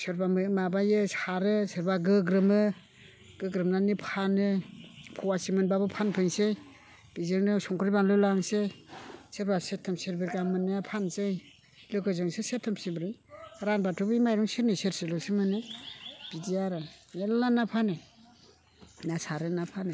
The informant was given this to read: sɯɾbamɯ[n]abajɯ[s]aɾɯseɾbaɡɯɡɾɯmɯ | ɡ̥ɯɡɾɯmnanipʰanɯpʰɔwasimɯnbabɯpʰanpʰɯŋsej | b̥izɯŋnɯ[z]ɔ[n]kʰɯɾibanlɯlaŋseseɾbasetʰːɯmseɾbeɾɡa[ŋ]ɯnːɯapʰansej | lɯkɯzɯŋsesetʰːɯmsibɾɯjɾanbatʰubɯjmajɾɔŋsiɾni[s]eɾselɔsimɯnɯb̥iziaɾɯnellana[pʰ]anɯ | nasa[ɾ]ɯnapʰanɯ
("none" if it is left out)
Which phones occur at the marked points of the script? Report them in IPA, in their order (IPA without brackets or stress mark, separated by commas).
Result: m, s, s, ŋ, m, s, pʰ, ɾ